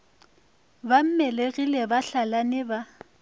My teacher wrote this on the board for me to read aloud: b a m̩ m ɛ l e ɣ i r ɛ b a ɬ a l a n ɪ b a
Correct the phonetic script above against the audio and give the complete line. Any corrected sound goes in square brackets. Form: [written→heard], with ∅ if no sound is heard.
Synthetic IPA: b a m̩ m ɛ l e ɣ i [r→l] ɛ b a ɬ a l a n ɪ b a